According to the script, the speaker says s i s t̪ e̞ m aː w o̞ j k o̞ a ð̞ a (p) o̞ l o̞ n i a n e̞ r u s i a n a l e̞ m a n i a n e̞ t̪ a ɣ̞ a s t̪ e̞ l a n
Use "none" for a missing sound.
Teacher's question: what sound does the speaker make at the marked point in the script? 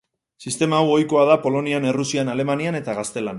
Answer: p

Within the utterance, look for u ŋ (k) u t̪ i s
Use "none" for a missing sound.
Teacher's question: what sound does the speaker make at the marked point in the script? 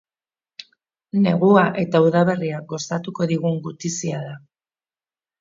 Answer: ɡ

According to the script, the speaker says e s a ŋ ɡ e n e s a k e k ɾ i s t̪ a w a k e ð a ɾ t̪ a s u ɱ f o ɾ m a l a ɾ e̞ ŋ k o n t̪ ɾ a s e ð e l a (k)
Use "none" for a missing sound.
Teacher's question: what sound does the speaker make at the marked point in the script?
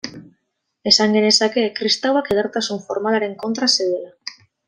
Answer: none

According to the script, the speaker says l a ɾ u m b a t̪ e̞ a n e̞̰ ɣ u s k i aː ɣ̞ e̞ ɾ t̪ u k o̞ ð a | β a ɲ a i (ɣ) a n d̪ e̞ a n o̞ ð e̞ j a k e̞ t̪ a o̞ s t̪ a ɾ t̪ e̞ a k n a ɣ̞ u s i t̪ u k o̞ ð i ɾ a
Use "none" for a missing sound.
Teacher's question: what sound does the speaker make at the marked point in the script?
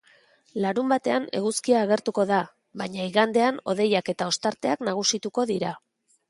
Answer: ɣ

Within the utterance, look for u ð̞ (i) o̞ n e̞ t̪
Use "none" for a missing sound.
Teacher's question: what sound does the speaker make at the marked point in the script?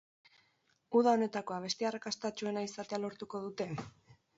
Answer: a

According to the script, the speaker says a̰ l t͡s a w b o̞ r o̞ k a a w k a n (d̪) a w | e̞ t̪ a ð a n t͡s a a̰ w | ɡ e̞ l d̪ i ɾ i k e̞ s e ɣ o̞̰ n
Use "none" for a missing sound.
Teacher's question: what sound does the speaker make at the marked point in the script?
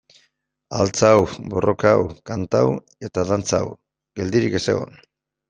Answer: t̪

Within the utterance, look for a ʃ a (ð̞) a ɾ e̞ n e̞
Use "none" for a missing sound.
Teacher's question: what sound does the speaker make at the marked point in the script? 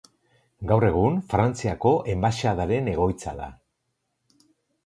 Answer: ð̞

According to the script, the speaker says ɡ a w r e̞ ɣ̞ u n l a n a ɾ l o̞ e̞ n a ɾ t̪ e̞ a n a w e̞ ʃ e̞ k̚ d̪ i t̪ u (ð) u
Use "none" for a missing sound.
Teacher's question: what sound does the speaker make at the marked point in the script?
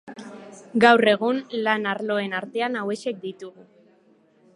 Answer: ɣ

